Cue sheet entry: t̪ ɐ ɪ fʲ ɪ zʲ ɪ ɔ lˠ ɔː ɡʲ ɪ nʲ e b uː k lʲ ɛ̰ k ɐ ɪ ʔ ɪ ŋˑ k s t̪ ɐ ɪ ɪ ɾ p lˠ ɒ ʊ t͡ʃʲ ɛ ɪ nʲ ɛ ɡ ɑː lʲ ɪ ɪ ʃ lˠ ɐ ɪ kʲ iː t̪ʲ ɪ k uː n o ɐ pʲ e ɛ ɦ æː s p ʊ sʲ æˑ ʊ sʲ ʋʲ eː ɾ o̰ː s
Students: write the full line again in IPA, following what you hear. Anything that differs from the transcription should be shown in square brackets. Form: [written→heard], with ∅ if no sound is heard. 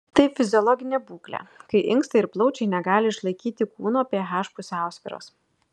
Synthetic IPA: t̪ ɐ ɪ fʲ ɪ zʲ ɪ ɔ lˠ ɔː ɡʲ ɪ nʲ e b uː k lʲ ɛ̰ k ɐ ɪ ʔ ɪ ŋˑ k s t̪ ɐ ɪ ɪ ɾ p lˠ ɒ ʊ t͡ʃʲ ɛ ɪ nʲ ɛ ɡ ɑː lʲ ɪ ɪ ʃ lˠ ɐ ɪ kʲ iː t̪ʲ ɪ k uː n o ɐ pʲ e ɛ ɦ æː [s→ʃ] p ʊ sʲ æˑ ʊ sʲ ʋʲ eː ɾ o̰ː s